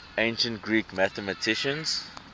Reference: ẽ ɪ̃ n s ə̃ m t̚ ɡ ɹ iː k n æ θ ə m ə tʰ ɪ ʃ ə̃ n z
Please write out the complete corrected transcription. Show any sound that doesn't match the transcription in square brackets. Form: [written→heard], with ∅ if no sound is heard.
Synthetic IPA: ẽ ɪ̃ n [s→ʃ] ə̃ [m→n] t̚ ɡ ɹ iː k [n→m] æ θ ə m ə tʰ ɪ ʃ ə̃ n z